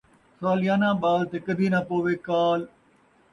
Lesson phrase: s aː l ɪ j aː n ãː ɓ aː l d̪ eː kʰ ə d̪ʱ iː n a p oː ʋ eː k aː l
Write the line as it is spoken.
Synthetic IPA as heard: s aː l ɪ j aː n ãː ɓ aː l t̪ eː k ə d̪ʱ iː n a p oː ʋ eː k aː l